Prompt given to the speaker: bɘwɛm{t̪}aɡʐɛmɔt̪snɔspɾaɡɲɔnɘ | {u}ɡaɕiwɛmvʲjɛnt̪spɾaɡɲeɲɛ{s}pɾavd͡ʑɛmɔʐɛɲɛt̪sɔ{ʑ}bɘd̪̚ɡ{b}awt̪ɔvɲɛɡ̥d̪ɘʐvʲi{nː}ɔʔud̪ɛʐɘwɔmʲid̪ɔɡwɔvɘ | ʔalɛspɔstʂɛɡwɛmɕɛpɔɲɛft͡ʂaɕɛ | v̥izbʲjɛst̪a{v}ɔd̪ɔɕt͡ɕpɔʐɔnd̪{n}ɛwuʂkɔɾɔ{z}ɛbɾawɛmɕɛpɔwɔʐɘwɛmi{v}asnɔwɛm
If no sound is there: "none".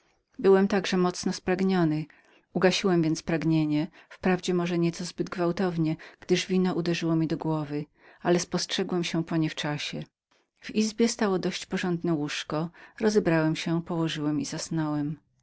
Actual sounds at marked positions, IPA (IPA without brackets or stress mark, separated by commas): t̪, u, f, z, v, n, w, n, z, z